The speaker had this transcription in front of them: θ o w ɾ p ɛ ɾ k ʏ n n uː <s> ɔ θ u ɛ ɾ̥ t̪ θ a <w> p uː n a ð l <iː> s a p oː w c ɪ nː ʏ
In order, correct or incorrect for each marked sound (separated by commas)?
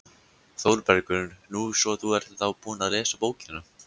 correct, correct, incorrect